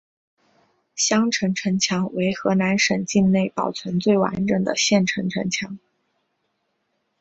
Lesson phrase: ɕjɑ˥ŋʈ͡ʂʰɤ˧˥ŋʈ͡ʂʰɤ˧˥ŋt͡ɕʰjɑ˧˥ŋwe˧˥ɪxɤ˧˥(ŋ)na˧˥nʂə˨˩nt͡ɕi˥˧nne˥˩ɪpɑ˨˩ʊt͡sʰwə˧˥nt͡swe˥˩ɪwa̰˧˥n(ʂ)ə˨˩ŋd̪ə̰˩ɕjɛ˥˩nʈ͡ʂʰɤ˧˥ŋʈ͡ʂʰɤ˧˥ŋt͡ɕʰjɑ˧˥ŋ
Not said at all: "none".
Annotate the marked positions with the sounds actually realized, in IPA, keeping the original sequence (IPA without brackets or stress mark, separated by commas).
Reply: none, ʈ͡ʂ